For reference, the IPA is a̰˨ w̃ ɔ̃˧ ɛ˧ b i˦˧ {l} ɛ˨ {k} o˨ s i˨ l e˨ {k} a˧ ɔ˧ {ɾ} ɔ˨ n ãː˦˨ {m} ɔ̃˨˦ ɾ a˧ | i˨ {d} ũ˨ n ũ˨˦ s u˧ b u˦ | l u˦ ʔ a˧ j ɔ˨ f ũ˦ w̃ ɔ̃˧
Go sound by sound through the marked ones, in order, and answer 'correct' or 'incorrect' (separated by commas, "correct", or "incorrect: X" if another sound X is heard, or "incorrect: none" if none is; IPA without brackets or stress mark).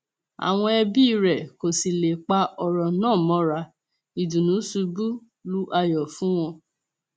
incorrect: ɾ, correct, incorrect: k͡p, correct, correct, correct